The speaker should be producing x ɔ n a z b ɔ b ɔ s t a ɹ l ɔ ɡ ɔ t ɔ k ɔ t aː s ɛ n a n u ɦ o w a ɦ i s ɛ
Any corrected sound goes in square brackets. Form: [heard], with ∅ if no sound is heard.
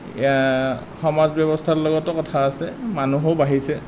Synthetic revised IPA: x ɔ [m] a z b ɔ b ɔ s [tʰ] a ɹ l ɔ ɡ ɔ t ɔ k ɔ [tʰ] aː s ɛ [m] a n u ɦ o [b] a ɦ i s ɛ